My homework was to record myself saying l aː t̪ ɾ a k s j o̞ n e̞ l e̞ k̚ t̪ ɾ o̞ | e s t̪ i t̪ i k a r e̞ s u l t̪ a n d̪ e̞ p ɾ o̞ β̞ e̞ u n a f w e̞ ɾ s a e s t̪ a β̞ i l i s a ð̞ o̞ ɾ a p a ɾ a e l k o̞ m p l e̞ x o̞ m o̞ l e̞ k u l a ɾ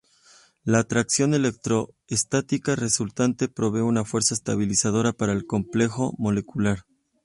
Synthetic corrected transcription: l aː t̪ ɾ a k s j o̞ n e̞ l e̞ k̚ t̪ ɾ o̞ | e s t̪ a t̪ i k a r e̞ s u l t̪ a n t̪ e̞ p ɾ o̞ β̞ e̞ u n a f w e̞ ɾ s a e s t̪ a β̞ i l i s a ð̞ o̞ ɾ a p a ɾ a e l k o̞ m p l e̞ x o̞ m o̞ l e̞ k u l a ɾ